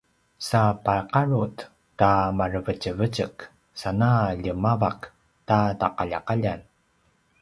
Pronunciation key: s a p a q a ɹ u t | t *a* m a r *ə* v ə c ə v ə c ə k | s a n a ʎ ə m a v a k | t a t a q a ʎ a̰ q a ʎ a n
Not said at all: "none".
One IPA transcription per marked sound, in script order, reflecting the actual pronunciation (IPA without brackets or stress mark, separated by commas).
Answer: a, ə